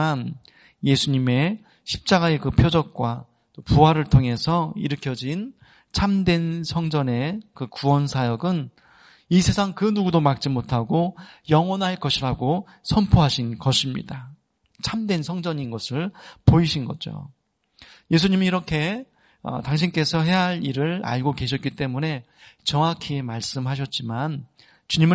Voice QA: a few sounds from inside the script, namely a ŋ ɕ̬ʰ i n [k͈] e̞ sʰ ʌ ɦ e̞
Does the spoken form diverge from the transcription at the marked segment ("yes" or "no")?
no